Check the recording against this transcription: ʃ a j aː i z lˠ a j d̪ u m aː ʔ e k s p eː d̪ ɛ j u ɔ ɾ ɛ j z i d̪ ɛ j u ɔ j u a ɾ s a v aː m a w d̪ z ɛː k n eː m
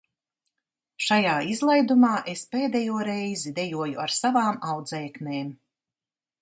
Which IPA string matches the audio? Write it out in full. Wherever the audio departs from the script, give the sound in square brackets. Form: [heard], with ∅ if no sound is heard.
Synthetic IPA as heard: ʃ a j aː i z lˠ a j d̪ u m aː ʔ e [∅] s p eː d̪ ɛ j u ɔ ɾ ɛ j z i d̪ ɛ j u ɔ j u a ɾ s a v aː m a w d̪ z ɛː k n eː m